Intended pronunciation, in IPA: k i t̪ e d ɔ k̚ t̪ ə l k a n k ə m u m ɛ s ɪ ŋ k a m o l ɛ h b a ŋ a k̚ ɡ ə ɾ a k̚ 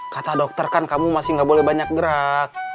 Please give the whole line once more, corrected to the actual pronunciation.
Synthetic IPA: k a t̪ a d ɔ k̚ t̪ ə r k a n k a m u m a s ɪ ŋ ɡ a b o l ɛ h b a ɲ a k̚ ɡ ə ɾ a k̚